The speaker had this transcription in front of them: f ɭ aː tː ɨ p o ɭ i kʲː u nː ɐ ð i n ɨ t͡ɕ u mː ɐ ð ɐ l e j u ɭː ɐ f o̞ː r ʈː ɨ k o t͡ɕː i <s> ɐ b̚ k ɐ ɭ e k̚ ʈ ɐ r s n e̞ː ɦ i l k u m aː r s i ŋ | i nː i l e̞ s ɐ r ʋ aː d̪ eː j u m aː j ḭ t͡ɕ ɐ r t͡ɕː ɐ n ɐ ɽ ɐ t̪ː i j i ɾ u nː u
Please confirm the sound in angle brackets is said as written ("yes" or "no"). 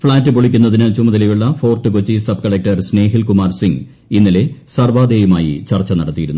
yes